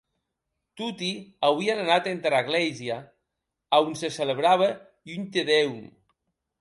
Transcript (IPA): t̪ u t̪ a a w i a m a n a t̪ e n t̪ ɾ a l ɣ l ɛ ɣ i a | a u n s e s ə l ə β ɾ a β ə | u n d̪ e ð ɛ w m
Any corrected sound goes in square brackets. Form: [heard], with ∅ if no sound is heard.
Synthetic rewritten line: t̪ u t̪ [i] a w i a [n] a n a t̪ e n t̪ ɾ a [∅] ɣ l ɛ [z] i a | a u n s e s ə l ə β ɾ a β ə | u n [t̪] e ð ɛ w m